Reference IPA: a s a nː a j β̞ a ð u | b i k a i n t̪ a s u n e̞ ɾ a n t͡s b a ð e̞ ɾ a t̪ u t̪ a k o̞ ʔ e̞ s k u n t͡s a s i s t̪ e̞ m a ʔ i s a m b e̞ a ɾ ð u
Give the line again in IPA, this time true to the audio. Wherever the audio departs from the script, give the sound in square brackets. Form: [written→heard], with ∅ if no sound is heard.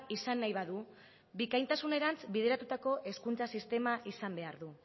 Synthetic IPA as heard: [a→i] s a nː a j β̞ a ð u | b i k a [i→j] n t̪ a s u n e̞ ɾ a n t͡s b [a→i] ð e̞ ɾ a t̪ u t̪ a k o̞ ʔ e̞ s k u n t͡s a s i s t̪ e̞ m a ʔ i s a m b e̞ a ɾ ð u